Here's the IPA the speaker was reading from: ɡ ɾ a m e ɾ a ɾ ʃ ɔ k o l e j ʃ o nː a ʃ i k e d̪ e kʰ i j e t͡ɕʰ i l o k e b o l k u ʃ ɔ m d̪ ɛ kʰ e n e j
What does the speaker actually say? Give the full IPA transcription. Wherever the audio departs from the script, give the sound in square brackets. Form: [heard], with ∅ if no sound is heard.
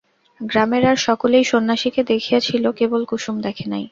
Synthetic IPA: ɡ ɾ a m e ɾ a ɾ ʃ ɔ k o l e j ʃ o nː a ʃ i k e d̪ e kʰ i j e t͡ɕʰ i l o k e b o l k u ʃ [u] m d̪ ɛ kʰ e n [a] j